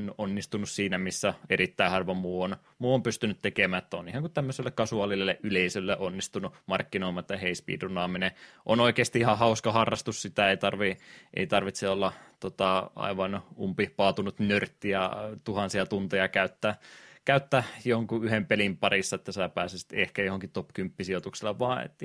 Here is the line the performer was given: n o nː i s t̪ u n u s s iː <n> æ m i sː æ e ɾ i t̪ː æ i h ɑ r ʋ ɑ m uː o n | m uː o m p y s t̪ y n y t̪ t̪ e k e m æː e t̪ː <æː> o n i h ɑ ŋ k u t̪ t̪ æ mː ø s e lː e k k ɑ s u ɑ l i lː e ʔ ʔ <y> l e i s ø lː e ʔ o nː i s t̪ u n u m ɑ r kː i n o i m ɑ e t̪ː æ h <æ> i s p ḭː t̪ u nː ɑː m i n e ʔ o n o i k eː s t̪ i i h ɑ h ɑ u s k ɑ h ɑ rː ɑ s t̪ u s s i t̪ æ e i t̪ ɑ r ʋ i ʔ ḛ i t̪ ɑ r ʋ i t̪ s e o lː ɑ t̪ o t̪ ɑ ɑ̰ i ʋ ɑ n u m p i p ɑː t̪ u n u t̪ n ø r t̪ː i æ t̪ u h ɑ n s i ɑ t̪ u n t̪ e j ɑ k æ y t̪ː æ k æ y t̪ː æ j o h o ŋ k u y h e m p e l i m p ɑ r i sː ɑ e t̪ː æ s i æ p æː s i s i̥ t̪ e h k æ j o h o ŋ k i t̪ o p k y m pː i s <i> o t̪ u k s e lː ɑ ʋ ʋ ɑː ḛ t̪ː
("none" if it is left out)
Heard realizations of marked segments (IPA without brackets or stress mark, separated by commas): n, æ, y, e, i